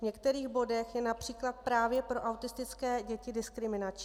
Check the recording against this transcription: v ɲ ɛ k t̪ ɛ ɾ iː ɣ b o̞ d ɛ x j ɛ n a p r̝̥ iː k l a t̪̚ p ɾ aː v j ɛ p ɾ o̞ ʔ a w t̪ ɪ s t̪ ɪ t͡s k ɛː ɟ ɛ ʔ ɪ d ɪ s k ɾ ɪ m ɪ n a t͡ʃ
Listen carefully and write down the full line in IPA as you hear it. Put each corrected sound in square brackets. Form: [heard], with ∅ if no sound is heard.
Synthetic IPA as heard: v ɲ ɛ k t̪ ɛ ɾ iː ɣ b o̞ d ɛ x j ɛ n a p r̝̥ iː k l a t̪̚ p ɾ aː v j ɛ p ɾ o̞ ʔ a w t̪ ɪ s t̪ ɪ t͡s k ɛː ɟ ɛ [c] ɪ d ɪ s k ɾ ɪ m ɪ n a t͡ʃ